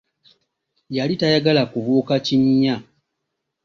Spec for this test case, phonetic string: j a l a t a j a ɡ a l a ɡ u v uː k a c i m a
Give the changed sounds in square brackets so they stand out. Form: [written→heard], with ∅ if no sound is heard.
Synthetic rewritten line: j a l [a→i] t a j a ɡ a l a [ɡ→k] u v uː k a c i [m→ɲ] a